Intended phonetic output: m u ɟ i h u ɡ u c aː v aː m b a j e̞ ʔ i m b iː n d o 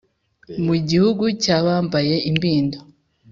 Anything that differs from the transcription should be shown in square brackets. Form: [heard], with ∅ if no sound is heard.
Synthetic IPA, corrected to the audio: m u ɟ i h u ɡ u c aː [β] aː m b a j e̞ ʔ i m b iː n d o